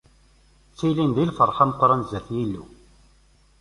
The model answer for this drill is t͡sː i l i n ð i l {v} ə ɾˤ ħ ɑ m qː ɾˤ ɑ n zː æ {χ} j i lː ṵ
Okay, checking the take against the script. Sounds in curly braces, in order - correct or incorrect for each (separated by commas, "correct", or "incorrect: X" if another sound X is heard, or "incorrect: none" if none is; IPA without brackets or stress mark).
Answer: incorrect: f, incorrect: θ